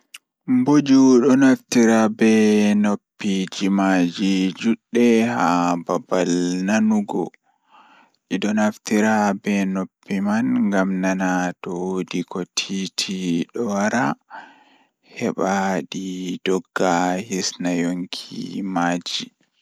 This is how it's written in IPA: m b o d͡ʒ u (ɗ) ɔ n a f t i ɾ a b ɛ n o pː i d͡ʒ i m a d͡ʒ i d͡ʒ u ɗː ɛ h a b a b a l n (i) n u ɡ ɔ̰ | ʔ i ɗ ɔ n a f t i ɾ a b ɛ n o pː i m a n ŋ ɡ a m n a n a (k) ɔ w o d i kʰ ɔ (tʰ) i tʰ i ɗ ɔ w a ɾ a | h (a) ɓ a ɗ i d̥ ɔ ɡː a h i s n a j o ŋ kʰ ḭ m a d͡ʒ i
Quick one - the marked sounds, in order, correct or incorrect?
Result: correct, incorrect, incorrect, correct, incorrect

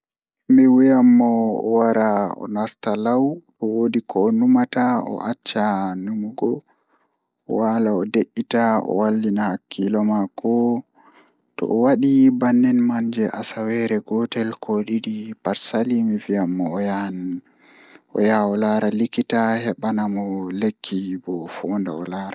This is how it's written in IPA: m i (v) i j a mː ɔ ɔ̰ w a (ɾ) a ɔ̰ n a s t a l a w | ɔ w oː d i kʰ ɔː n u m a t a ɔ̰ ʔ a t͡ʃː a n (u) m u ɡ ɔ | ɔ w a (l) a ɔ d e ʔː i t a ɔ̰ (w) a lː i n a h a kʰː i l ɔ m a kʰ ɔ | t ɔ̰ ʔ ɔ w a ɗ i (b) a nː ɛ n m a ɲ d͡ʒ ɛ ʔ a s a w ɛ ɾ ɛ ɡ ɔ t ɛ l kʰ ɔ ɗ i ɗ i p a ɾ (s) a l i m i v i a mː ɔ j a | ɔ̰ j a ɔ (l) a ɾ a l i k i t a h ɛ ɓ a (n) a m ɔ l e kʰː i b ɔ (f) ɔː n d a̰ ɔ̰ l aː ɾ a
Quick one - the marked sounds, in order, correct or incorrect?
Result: incorrect, correct, correct, correct, correct, correct, correct, correct, correct, correct

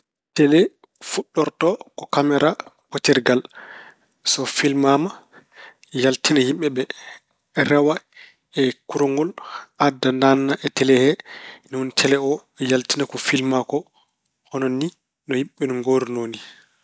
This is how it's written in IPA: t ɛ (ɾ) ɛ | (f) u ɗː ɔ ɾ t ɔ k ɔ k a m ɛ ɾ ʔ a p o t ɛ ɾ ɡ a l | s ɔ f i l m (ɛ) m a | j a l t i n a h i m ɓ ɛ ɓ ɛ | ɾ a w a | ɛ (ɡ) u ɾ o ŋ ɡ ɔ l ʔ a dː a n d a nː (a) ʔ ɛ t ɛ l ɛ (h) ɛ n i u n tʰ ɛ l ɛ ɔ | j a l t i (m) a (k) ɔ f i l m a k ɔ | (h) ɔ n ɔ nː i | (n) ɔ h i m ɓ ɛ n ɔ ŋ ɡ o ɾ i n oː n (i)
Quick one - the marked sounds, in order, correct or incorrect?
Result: incorrect, correct, incorrect, incorrect, correct, correct, incorrect, correct, correct, correct, correct

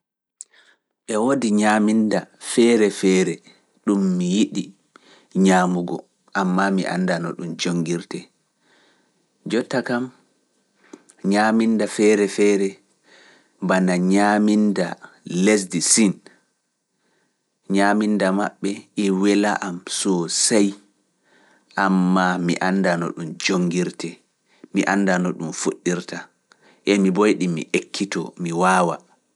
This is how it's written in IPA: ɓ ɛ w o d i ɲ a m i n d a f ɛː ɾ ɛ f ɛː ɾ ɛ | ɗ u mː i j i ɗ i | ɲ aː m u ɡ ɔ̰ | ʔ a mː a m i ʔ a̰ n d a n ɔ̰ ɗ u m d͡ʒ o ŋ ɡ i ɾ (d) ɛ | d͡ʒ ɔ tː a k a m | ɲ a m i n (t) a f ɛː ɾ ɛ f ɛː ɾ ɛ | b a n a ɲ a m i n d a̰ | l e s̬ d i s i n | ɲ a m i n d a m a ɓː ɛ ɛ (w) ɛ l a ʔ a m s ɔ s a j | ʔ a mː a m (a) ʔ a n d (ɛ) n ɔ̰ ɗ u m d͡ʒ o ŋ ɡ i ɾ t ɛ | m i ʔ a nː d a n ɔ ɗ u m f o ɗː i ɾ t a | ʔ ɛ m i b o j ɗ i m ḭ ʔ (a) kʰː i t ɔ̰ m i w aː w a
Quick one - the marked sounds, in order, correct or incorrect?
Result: incorrect, incorrect, correct, incorrect, incorrect, incorrect

